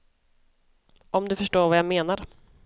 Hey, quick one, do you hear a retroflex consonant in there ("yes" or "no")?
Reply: yes